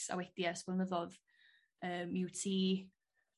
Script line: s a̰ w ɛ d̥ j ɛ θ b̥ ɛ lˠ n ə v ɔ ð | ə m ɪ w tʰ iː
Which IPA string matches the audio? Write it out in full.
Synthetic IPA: s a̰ w ɛ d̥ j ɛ s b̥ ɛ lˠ n ə ð ɔ ð | əː m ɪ w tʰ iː